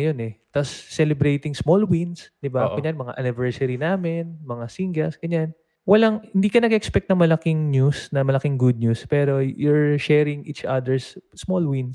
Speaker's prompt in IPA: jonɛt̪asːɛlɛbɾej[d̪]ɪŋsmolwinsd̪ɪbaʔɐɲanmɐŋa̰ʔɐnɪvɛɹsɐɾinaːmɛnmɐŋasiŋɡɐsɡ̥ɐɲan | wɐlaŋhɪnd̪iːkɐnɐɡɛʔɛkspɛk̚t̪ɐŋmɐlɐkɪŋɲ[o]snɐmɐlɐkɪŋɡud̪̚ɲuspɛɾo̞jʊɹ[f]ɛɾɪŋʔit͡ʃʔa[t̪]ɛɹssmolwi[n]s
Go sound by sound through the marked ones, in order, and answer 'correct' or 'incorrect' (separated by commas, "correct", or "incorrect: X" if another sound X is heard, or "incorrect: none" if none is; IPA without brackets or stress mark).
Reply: incorrect: t̪, incorrect: u, incorrect: ʃ, incorrect: d̪, correct